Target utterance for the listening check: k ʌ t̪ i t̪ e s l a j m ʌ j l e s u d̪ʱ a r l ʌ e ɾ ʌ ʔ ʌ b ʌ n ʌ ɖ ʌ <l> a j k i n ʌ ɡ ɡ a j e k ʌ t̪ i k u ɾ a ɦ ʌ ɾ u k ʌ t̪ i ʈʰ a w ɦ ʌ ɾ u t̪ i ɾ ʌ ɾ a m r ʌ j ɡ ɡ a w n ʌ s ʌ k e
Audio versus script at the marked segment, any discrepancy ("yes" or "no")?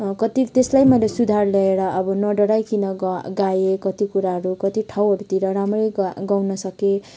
yes